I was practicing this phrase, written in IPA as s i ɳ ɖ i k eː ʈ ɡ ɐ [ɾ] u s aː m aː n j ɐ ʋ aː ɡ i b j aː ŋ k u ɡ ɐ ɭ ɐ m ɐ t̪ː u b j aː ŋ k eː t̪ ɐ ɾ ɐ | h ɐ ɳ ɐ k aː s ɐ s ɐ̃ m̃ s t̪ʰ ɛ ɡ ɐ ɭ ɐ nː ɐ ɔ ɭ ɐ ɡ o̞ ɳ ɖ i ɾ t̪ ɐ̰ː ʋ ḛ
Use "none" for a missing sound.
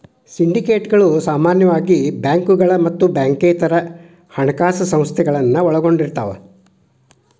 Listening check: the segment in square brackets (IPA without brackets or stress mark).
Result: ɭ